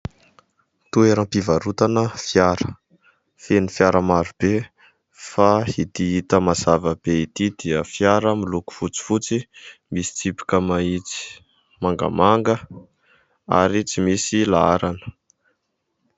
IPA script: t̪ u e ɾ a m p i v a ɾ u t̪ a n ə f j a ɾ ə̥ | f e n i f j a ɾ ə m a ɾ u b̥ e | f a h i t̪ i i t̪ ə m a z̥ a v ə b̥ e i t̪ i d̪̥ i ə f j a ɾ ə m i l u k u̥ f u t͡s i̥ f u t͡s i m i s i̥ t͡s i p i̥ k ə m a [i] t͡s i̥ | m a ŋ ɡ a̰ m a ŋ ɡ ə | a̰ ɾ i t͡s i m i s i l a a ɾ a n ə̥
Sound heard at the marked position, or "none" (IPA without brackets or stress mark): i